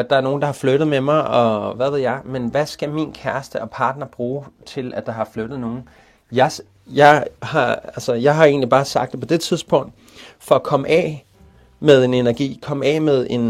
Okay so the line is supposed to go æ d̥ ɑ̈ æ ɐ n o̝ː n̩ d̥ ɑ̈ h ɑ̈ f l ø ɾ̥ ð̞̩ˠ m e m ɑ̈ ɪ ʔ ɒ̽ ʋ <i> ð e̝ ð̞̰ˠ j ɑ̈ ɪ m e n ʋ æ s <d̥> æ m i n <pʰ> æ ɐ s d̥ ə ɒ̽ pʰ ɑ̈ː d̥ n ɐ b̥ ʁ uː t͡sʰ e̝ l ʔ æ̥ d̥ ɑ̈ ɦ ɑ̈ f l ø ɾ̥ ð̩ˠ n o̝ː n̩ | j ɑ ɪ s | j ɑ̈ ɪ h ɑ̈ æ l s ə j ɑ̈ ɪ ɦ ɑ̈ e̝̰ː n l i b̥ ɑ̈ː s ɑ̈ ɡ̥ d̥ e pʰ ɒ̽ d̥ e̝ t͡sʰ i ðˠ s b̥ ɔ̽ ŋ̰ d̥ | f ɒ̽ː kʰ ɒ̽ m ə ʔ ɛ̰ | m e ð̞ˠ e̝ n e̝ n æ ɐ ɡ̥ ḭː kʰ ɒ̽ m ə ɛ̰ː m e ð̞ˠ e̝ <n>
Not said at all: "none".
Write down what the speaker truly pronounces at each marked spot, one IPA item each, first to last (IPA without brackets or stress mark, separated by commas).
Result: æ, ɡ̥, kʰ, n